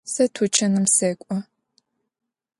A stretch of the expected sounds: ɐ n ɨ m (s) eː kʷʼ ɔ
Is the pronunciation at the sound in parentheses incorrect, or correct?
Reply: correct